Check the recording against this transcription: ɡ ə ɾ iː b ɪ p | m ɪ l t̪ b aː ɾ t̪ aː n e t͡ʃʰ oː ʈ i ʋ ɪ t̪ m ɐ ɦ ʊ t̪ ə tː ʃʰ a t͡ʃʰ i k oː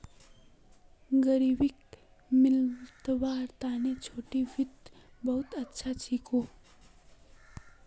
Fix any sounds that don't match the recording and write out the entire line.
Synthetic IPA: ɡ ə ɾ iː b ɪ k | m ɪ l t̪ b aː ɾ t̪ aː n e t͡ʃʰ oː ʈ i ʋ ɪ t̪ b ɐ ɦ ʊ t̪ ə tː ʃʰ a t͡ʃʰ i k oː